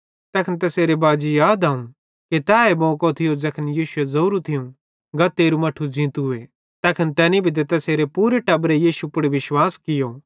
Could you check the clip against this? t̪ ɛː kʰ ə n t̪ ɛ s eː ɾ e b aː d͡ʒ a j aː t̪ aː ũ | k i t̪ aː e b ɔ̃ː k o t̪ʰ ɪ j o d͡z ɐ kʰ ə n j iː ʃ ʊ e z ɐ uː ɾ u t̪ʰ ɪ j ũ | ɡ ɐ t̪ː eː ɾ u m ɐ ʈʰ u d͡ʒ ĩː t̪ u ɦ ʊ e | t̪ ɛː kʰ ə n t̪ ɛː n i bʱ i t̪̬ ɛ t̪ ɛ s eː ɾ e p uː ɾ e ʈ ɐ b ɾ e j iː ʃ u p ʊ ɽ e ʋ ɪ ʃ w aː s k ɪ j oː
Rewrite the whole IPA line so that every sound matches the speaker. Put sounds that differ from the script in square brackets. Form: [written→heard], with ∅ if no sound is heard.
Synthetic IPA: t̪ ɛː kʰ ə n t̪ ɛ s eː ɾ e b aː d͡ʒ [a→i] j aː [t̪→d̪] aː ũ | k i t̪ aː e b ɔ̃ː k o t̪ʰ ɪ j o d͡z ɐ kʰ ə n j iː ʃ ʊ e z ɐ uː ɾ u t̪ʰ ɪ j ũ | ɡ ɐ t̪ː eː ɾ u m ɐ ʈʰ u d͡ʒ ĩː t̪ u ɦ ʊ e | t̪ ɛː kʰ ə n t̪ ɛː n i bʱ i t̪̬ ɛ t̪ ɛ s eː ɾ e p uː ɾ e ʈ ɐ b ɾ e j iː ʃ u p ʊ ɽ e ʋ ɪ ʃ w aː s k ɪ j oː